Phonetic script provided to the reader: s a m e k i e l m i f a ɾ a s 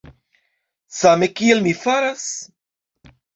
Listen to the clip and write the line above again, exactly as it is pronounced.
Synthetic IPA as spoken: s a m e k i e l m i f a ɾ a s